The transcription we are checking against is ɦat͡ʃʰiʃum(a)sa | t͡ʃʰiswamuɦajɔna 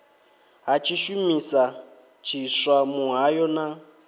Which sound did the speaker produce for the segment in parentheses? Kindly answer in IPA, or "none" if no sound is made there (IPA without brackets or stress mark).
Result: i